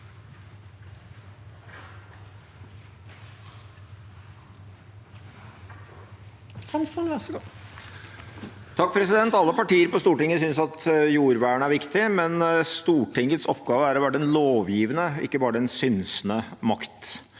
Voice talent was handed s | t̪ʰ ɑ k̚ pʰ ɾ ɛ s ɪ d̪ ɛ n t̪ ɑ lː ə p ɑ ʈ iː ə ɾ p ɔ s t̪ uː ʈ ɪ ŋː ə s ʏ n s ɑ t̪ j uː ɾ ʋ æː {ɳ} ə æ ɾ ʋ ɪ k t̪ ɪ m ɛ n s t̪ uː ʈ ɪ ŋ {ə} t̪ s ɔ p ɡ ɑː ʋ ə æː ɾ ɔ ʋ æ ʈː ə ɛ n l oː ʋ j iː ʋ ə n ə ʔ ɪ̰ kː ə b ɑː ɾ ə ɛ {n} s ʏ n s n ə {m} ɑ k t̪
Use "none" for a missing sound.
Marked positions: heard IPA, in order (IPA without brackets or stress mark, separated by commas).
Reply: ɳ, ə, n, m